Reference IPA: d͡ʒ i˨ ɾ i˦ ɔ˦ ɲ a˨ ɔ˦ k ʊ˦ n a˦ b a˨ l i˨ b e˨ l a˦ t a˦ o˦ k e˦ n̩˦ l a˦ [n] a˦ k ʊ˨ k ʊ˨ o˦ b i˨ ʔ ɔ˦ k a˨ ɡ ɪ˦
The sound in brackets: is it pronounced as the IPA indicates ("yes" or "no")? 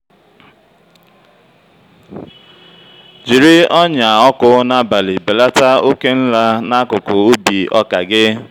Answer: yes